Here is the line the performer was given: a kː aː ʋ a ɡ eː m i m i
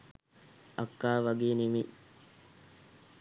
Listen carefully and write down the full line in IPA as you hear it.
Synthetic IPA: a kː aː ʋ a ɡ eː n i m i